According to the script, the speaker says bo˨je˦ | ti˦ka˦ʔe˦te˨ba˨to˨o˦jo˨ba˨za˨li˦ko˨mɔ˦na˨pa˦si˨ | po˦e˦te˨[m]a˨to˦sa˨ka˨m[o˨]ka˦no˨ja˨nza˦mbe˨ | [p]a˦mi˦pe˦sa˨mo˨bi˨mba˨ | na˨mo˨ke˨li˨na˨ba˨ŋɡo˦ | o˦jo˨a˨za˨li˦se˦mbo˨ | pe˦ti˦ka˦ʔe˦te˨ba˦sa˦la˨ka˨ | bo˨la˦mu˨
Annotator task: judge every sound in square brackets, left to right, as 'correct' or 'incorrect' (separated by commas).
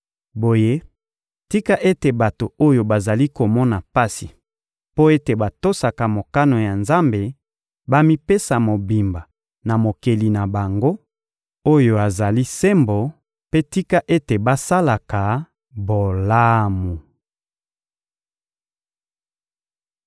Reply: incorrect, correct, incorrect